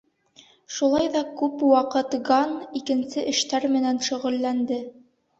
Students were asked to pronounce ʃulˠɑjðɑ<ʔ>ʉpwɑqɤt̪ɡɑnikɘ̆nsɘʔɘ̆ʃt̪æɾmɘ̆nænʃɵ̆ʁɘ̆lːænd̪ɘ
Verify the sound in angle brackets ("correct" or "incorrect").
incorrect